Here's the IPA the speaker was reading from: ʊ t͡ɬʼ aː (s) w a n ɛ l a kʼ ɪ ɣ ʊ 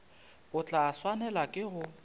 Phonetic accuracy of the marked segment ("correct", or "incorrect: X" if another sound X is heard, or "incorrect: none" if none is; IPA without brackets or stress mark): correct